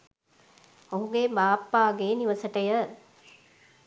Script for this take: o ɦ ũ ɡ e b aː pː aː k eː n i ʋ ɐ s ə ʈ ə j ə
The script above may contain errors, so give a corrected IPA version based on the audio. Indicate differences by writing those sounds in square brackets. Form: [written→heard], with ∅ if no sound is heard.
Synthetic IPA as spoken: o ɦ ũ ɡ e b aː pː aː [k→ɡ] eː n i ʋ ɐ s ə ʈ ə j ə